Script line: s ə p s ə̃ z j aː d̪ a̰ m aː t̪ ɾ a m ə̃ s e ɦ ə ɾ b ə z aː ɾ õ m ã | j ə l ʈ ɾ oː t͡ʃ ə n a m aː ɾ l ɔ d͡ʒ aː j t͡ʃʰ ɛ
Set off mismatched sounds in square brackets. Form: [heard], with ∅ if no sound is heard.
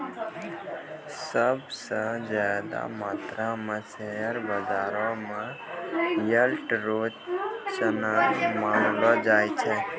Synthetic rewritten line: s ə [b] s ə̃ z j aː d̪ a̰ m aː t̪ ɾ a m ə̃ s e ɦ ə ɾ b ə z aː ɾ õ m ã | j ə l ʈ ɾ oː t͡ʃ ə n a m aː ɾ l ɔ d͡ʒ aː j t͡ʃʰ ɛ